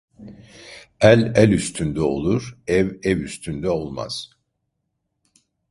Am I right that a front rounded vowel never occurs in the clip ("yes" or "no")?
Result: no